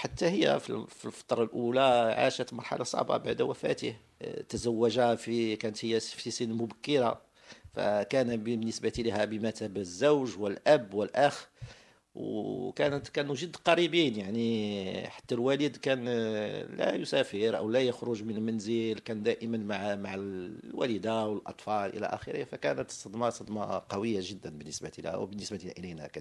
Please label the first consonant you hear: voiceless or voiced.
voiceless